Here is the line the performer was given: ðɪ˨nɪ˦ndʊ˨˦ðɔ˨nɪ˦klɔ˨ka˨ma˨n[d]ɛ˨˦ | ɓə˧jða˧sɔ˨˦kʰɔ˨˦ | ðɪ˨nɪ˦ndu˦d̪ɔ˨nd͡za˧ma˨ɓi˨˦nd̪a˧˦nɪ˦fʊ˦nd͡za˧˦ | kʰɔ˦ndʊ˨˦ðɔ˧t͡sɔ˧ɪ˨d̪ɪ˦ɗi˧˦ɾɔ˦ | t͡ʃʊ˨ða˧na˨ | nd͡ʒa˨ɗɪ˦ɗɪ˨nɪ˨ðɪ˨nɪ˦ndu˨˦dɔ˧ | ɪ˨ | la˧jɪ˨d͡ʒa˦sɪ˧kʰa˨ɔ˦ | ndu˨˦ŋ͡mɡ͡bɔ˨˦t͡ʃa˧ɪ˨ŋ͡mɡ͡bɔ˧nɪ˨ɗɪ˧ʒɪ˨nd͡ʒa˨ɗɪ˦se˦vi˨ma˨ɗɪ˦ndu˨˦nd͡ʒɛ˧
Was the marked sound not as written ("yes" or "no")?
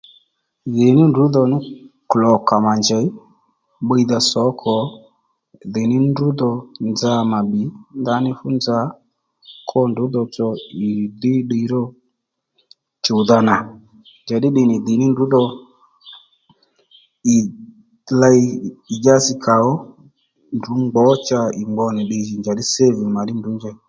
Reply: yes